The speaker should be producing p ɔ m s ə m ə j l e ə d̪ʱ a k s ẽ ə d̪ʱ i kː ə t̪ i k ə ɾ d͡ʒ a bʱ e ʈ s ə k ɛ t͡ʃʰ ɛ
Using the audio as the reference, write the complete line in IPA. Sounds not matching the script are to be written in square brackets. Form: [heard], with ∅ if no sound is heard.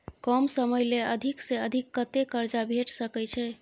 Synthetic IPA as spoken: [k] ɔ m s ə m ə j l e ə d̪ʱ [i] k s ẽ ə d̪ʱ i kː ə t̪ [e] k ə ɾ d͡ʒ a bʱ e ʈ s ə k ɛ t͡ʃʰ ɛ